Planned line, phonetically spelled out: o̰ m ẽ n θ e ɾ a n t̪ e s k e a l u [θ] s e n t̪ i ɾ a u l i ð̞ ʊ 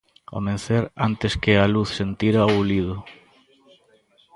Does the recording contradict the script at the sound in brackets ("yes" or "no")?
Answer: no